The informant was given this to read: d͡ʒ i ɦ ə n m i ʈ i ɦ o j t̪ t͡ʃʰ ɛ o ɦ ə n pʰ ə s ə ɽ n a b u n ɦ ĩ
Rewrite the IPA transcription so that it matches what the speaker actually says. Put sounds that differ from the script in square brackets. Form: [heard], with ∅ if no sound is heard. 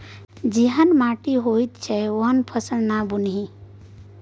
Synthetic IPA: d͡ʒ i ɦ ə n m [a] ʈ i ɦ o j t̪ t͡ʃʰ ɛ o ɦ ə n pʰ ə s ə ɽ n a b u n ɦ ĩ